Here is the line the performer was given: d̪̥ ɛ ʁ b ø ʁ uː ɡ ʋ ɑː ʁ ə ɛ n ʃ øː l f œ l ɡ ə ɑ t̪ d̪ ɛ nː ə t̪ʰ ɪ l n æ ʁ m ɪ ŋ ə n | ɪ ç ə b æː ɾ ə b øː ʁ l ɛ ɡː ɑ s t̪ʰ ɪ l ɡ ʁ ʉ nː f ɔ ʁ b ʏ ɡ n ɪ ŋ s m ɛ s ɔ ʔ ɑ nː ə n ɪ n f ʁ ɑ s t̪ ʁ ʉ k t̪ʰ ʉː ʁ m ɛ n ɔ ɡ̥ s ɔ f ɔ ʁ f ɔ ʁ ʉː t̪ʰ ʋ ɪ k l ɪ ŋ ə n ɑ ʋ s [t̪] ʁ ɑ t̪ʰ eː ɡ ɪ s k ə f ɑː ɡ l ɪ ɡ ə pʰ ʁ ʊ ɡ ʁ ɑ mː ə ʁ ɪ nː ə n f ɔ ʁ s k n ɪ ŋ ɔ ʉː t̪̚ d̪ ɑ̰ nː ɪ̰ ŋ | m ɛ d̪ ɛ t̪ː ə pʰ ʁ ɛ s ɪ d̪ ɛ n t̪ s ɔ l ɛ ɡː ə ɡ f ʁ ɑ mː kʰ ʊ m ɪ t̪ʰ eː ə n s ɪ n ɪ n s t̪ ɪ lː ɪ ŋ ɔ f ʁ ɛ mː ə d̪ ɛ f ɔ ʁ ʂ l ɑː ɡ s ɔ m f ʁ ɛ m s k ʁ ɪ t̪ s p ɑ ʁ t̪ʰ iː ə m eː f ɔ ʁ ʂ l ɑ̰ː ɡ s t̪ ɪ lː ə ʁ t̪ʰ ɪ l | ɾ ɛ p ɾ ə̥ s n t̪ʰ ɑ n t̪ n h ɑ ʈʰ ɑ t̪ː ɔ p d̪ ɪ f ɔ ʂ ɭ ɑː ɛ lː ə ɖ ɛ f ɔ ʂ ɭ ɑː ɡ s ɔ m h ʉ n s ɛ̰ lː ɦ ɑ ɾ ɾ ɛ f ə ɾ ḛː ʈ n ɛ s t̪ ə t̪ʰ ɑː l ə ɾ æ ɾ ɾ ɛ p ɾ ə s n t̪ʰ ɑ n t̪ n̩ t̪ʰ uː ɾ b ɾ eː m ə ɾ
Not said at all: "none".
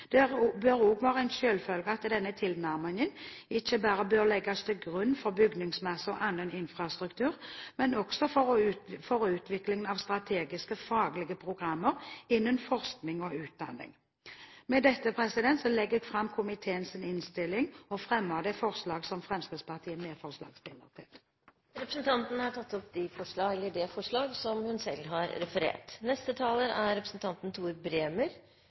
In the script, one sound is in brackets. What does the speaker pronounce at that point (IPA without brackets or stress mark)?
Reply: t̪